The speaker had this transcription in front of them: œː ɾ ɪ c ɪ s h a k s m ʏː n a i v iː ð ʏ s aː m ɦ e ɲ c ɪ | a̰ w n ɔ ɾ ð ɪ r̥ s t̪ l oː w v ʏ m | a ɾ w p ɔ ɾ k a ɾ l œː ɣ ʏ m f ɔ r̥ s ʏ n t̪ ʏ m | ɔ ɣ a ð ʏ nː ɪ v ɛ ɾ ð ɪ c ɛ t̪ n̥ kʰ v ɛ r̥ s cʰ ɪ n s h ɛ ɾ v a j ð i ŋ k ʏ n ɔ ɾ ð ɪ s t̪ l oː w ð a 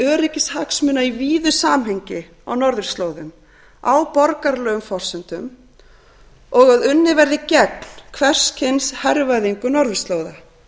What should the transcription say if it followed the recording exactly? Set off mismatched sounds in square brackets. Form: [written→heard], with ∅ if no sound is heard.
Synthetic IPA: œː ɾ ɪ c ɪ s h a k s m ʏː n a i v iː ð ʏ s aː m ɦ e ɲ c ɪ | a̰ w n ɔ ɾ ð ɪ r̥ s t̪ l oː w [v→ð] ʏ m | a [ɾ→∅] w p ɔ ɾ k a ɾ l œː ɣ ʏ m f ɔ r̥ s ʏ n t̪ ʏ m | ɔ ɣ a ð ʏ nː ɪ v ɛ ɾ ð ɪ c ɛ t̪ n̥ kʰ v ɛ r̥ s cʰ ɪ n s h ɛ ɾ v a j ð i ŋ k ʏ n ɔ ɾ ð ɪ s t̪ l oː w ð a